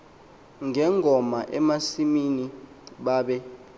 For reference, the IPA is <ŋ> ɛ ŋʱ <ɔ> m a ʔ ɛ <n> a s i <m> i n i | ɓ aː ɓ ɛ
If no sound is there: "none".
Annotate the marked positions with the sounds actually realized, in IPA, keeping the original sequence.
ŋ, ɔ, m, m

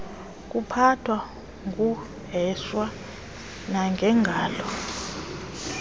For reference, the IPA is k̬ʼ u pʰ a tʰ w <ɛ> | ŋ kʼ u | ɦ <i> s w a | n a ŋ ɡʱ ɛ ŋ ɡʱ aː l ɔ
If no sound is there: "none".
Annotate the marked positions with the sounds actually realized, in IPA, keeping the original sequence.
a, ɛ

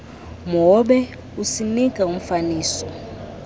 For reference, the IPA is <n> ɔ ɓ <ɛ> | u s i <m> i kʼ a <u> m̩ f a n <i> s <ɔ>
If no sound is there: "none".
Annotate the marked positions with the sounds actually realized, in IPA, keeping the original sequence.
m, ɛ, n, u, iː, ɔ

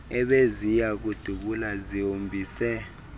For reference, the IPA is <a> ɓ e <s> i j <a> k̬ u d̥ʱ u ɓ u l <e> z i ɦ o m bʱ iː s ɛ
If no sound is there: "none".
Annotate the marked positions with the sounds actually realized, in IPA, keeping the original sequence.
ɛ, z, a, a

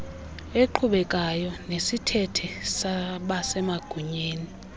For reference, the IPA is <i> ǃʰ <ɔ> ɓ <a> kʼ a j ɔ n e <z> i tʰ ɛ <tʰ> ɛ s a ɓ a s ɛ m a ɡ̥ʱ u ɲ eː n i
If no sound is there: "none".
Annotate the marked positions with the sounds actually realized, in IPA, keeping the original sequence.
e, u, ɛ, s, tʰ

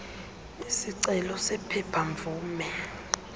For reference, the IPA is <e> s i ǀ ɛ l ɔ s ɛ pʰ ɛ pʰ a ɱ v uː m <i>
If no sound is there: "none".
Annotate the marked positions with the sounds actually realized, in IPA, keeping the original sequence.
i, ɛ

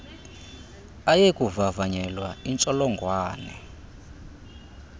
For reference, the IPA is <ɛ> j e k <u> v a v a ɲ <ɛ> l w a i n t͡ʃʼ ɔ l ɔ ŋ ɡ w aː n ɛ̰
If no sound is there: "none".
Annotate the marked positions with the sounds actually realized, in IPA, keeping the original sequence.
a, u, ɛ

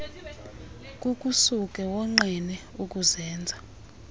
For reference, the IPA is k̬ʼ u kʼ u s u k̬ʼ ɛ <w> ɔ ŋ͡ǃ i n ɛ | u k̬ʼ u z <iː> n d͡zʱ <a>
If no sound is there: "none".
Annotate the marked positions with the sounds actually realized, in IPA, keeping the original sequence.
w, ɛː, a

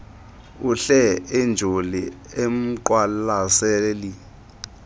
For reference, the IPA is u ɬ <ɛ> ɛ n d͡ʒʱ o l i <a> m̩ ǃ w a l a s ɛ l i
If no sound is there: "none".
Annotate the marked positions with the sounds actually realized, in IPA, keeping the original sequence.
ɛ, e

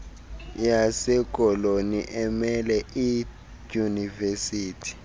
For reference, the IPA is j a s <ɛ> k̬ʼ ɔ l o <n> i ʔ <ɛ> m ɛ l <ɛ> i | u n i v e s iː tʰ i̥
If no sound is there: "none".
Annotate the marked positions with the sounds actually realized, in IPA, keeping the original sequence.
ɛ, n, ɛ, ɛ

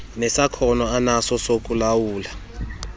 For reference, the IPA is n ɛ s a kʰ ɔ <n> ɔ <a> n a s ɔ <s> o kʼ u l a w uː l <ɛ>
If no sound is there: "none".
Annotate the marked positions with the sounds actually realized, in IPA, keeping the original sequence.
n, a, s, a

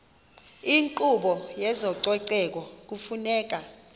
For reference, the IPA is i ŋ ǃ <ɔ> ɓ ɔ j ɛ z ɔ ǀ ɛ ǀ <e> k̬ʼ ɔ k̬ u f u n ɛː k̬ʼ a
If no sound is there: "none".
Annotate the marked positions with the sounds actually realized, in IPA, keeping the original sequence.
u, ɛ

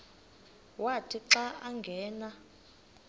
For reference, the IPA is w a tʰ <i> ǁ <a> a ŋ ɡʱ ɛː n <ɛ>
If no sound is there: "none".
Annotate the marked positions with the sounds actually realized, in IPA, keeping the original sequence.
i, a, a

